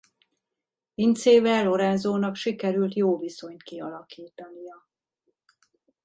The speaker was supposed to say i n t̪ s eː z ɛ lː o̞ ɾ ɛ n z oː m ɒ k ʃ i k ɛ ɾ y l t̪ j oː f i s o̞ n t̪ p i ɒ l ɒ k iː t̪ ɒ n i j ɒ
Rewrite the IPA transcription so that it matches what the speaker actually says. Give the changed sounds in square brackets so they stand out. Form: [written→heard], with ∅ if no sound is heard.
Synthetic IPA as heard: i n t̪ s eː [z→v] ɛ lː o̞ ɾ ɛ n z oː [m→n] ɒ k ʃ i k ɛ ɾ y l t̪ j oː [f→v] i s o̞ [n→ɲ] t̪ [p→k] i ɒ l ɒ k iː t̪ ɒ n i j ɒ

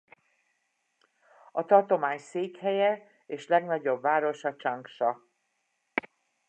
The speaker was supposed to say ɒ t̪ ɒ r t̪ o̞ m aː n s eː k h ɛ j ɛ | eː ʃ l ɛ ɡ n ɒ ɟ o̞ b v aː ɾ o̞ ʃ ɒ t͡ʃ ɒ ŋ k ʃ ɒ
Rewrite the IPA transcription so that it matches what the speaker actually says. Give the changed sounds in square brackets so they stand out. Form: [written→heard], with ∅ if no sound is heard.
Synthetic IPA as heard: ɒ t̪ ɒ r t̪ o̞ m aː [n→ɲ] s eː k h ɛ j ɛ | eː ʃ l ɛ ɡ n ɒ ɟ o̞ b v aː ɾ o̞ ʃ ɒ t͡ʃ ɒ ŋ k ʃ ɒ

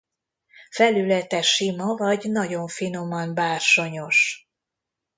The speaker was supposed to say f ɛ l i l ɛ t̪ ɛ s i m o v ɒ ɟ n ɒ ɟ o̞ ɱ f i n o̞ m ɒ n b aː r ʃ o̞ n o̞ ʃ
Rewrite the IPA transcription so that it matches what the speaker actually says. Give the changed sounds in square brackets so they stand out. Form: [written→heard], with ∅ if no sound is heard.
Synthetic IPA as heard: f ɛ l [i→y] l ɛ t̪ ɛ [s→ʃ] i m [o→ɒ] v ɒ ɟ n ɒ ɟ o̞ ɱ f i n o̞ m ɒ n b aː r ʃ o̞ [n→ɲ] o̞ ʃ

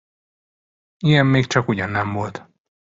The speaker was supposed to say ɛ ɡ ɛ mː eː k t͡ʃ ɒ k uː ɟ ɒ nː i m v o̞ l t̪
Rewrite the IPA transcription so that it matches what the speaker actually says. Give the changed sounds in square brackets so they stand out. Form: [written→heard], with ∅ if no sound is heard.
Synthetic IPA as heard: [ɛ→i] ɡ ɛ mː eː k t͡ʃ ɒ k [uː→u] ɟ ɒ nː [i→ɛ] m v o̞ l t̪

